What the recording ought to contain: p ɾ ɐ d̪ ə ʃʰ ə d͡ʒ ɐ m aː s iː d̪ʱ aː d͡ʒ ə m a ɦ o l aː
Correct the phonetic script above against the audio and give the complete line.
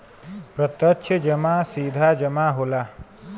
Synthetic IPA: p ɾ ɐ t̪ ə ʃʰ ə d͡ʒ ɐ m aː s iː d̪ʱ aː d͡ʒ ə m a ɦ o l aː